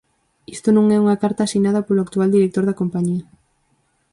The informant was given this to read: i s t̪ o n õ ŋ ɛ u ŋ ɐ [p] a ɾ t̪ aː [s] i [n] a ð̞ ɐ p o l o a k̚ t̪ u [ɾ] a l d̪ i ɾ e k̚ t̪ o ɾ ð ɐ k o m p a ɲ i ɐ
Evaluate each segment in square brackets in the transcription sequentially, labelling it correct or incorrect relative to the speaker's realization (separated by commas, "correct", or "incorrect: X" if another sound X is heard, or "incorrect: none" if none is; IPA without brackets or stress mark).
incorrect: k, correct, correct, incorrect: none